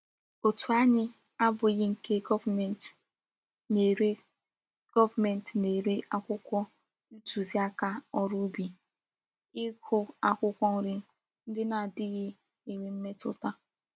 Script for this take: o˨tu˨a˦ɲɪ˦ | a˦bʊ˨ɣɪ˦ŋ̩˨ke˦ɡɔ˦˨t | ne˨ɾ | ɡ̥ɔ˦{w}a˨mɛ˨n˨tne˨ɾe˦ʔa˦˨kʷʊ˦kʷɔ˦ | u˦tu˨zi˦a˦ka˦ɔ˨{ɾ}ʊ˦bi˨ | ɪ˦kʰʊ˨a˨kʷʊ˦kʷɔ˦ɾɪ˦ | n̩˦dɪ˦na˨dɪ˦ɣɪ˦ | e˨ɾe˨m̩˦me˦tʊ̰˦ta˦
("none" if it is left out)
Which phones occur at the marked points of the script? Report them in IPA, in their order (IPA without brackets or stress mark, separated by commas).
v, ɾ